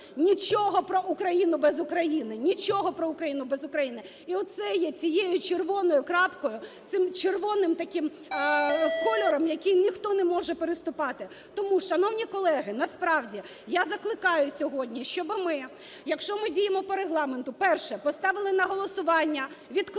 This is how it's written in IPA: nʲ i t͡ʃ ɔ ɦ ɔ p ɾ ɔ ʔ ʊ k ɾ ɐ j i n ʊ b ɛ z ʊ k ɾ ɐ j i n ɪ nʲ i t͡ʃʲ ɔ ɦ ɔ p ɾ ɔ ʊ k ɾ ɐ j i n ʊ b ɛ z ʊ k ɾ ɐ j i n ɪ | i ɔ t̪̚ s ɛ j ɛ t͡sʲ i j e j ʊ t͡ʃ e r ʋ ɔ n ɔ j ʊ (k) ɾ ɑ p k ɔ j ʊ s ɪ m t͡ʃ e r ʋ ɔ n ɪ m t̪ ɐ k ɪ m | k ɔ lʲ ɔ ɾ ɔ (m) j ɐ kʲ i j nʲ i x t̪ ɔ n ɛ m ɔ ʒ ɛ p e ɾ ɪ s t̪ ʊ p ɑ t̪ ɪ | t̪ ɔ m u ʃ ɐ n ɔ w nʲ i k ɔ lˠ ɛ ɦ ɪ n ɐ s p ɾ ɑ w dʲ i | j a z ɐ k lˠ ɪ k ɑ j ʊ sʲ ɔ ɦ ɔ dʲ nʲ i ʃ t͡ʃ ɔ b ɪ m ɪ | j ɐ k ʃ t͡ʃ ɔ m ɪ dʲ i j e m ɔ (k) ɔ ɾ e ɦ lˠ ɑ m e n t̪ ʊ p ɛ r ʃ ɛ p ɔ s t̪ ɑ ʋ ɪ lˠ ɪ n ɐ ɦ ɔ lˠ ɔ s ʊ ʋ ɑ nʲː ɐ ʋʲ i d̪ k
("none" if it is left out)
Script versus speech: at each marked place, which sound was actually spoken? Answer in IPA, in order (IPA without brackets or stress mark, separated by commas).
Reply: k, m, p